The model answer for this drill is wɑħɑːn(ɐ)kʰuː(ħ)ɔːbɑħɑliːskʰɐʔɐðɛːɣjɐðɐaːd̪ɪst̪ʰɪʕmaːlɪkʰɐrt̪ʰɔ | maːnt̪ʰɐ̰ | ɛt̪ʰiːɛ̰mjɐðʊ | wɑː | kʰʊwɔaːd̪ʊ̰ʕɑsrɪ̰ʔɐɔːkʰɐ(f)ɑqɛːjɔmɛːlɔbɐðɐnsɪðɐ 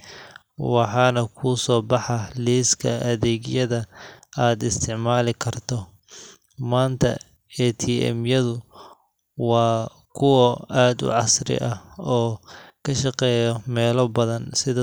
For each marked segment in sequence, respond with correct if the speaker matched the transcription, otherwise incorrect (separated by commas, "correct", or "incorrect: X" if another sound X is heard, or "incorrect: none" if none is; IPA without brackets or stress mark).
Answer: correct, incorrect: s, incorrect: ʃ